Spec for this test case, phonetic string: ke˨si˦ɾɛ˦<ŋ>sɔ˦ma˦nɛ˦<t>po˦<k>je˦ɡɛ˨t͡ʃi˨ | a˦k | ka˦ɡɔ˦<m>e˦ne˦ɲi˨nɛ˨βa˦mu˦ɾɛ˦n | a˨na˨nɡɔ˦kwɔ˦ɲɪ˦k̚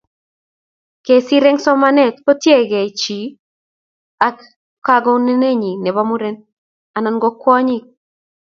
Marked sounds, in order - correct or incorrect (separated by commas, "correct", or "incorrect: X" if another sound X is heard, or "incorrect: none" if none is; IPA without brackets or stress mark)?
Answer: correct, correct, incorrect: t, incorrect: n